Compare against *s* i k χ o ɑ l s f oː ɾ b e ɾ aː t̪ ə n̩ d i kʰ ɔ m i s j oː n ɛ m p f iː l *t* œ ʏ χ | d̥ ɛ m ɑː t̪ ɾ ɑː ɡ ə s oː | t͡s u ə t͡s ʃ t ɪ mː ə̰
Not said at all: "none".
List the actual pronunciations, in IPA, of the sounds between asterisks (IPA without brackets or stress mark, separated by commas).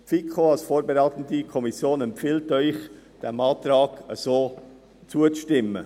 f, t